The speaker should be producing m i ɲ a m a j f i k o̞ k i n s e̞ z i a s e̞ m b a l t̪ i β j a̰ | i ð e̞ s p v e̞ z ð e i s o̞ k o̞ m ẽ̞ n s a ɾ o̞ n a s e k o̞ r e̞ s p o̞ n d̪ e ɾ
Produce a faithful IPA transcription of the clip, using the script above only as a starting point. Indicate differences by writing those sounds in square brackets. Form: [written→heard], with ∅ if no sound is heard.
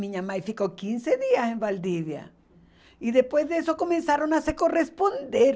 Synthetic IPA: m i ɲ a m a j f i k o̞ k i n s e̞ [z→ð] i a s e̞ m b a l [t̪→d̪] i β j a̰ | i ð e̞ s p [v→w] e̞ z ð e [i→e] s o̞ k o̞ m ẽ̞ n s a ɾ o̞ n a s e k o̞ r e̞ s p o̞ n d̪ e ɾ